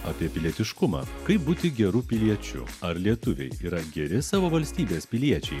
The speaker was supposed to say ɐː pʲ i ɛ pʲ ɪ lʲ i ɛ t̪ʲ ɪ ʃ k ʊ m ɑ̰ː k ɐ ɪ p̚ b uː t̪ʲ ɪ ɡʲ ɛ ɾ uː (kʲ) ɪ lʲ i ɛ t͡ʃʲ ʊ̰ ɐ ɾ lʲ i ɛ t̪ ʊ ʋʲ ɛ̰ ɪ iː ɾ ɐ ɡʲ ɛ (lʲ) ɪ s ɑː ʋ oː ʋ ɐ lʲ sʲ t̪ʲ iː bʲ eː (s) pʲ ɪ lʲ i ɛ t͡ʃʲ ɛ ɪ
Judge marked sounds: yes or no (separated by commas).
no, no, yes